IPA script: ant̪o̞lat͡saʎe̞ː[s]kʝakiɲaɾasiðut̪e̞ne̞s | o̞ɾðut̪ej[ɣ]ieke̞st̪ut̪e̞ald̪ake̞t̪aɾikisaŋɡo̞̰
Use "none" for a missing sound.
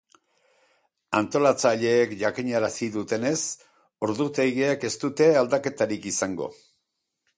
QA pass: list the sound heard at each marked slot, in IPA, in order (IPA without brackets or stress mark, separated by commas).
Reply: none, ɣ